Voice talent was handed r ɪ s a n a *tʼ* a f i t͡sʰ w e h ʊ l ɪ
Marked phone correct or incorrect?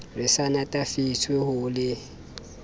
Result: correct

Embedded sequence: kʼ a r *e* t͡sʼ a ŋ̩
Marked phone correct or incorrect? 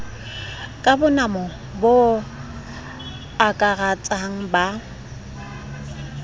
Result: incorrect: a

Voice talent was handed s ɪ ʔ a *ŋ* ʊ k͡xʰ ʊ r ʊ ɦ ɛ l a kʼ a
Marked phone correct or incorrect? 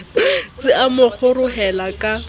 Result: incorrect: m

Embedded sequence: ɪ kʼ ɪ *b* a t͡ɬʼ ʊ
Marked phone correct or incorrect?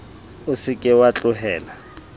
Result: incorrect: w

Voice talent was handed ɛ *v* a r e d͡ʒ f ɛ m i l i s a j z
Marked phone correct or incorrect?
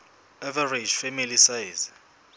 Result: correct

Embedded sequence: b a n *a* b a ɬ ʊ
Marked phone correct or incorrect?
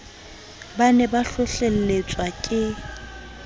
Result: incorrect: ɛ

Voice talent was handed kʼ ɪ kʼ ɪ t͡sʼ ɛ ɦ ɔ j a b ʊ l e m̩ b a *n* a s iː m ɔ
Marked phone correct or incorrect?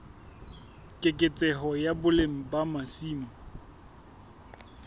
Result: incorrect: m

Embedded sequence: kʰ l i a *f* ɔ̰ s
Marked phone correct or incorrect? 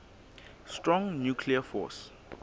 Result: correct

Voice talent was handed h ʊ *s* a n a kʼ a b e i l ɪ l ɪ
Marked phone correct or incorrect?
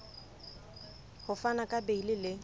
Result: incorrect: f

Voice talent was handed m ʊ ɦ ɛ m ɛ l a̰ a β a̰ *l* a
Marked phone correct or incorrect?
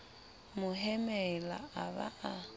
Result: incorrect: none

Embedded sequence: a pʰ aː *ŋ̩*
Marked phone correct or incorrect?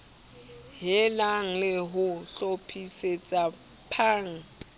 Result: correct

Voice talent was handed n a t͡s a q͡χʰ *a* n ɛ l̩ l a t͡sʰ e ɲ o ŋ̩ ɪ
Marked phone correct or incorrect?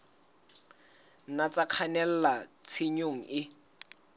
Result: correct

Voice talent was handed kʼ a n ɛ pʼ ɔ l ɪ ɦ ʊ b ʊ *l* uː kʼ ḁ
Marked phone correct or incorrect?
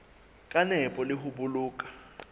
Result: correct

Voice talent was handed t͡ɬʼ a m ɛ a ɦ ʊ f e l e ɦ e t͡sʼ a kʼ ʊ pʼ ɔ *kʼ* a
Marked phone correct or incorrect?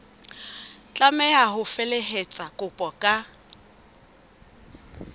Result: correct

